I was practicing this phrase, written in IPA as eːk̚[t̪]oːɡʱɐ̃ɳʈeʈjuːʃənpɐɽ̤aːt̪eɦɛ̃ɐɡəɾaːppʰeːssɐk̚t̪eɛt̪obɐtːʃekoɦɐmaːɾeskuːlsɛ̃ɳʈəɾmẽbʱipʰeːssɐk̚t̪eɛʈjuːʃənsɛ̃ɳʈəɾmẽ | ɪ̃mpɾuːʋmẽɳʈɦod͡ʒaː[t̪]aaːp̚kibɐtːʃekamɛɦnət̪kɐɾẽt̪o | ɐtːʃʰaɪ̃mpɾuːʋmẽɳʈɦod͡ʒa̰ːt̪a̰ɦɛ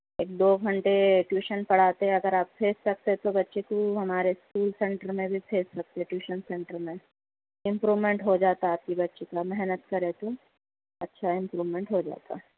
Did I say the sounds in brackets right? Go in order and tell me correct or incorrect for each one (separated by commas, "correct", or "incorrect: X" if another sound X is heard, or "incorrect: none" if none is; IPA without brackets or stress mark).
incorrect: d̪, correct